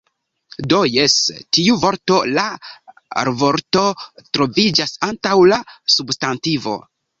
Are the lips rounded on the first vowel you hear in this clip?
yes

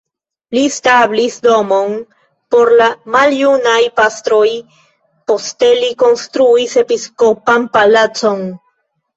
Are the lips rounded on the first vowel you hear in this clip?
no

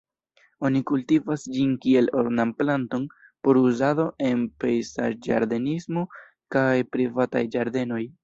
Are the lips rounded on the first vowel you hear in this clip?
yes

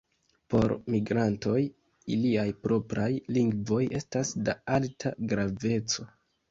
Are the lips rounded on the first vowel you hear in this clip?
yes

